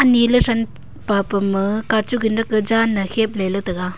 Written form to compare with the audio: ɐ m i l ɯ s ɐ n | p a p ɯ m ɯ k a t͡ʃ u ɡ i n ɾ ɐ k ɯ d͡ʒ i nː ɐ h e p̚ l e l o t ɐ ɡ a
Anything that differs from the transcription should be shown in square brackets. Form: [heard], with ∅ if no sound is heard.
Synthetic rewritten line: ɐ [n] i l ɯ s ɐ n | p a p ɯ m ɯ k a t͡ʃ u ɡ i n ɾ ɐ k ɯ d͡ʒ [a] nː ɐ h e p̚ l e l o t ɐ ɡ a

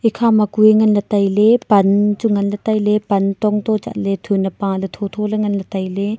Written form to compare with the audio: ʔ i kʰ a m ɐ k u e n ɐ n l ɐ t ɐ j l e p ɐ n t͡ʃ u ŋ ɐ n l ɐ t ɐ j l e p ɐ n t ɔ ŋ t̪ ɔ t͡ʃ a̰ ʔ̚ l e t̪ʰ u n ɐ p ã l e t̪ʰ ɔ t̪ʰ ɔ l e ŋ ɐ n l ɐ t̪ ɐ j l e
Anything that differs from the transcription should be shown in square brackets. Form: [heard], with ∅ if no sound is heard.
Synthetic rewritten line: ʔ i kʰ a m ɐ k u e [ŋ] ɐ n l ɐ t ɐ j l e p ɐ n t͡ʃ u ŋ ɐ n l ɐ t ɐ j l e p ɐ n t ɔ ŋ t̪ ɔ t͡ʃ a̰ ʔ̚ l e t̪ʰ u n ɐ p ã l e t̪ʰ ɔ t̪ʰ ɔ l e ŋ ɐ n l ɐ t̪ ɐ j l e

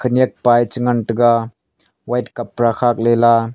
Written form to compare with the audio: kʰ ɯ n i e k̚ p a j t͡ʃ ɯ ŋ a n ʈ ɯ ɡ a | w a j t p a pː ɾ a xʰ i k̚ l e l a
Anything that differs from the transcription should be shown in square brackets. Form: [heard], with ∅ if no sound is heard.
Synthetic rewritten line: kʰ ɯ n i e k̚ p a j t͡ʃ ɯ ŋ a n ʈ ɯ ɡ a | w a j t [k] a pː ɾ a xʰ [a] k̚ l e l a

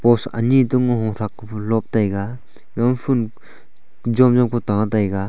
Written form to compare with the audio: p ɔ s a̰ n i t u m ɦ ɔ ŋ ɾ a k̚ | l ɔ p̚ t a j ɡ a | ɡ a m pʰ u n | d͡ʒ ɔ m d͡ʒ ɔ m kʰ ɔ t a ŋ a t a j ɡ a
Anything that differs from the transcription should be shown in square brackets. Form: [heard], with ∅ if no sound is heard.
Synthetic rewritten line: p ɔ s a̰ n i t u [ŋ] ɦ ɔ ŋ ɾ a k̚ | l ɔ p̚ t a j ɡ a | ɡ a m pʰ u n | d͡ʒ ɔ m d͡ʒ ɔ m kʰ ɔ t a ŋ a t a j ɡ a

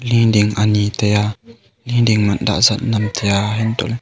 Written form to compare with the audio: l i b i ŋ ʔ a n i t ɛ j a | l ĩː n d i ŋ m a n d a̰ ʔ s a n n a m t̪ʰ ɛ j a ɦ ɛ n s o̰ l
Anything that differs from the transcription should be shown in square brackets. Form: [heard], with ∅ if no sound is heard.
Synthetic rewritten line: l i [d] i ŋ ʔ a n i t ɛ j a | l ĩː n d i ŋ m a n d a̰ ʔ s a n n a m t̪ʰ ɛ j a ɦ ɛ n [t] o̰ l

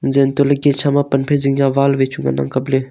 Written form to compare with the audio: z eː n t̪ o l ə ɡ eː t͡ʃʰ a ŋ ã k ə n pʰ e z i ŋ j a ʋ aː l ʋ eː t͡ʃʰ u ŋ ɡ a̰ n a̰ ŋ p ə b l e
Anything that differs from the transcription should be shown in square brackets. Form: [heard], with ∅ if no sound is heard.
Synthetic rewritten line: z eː n t̪ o l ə ɡ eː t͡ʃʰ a [m] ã [p] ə n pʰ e z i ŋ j a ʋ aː l ʋ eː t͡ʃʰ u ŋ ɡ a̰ n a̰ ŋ [k] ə b l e

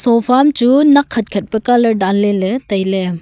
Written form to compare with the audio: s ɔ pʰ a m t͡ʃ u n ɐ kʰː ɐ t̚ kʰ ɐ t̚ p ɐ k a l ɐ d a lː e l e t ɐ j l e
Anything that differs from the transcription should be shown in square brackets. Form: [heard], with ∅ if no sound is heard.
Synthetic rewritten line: s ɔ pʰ a m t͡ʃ u n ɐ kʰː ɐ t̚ kʰ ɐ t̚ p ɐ k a l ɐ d a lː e l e t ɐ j l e

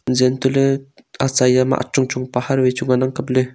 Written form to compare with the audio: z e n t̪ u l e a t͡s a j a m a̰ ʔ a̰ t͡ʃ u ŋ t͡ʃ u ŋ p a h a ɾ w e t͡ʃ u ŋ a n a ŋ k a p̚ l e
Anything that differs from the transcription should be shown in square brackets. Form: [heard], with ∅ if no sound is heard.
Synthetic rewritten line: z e n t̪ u l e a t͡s a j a m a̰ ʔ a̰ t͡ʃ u ŋ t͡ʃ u ŋ p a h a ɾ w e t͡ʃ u ŋ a n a ŋ k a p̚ l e

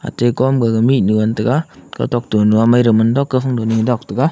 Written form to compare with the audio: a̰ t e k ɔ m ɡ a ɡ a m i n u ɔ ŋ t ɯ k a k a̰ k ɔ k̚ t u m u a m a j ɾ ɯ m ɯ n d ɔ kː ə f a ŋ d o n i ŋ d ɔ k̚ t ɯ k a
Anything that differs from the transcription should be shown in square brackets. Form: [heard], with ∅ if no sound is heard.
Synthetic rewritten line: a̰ t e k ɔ m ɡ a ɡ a m i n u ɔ [n] t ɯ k a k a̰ [t] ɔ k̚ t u [n] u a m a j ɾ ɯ m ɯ n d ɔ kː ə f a ŋ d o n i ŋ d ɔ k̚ t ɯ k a

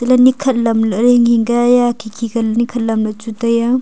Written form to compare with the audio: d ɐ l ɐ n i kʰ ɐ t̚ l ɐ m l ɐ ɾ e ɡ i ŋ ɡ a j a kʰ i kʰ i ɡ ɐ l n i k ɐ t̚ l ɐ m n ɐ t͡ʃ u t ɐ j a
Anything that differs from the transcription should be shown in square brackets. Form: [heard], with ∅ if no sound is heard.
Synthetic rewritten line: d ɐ l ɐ n i kʰ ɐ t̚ l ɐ m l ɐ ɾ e [ŋ] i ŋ ɡ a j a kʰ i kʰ i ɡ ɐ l n i [kʰ] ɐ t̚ l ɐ m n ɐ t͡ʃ u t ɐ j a

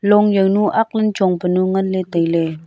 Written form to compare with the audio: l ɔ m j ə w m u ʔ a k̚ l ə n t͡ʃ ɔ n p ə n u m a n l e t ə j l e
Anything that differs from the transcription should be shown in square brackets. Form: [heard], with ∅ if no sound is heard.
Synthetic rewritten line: l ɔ [ŋ] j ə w [n] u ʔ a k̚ l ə n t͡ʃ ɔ [ŋ] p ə n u [ŋ] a n l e t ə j l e

